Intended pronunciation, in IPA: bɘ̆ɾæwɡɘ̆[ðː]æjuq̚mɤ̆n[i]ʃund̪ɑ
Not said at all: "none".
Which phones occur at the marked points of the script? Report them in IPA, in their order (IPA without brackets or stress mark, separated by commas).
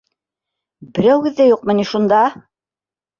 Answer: ðː, i